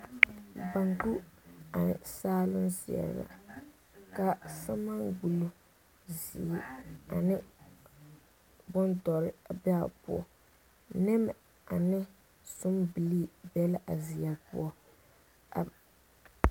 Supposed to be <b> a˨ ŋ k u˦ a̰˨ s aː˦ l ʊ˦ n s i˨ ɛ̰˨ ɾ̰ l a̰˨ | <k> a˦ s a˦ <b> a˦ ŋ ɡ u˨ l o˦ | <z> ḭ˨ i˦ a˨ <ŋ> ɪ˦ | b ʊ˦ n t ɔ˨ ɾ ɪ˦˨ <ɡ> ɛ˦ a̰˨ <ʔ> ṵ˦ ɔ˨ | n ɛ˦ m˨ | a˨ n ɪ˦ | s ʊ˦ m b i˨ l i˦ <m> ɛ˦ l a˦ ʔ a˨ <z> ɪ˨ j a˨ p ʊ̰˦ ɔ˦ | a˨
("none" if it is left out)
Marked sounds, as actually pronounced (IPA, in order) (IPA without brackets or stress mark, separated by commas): b, k, m, z, n, b, p, b, z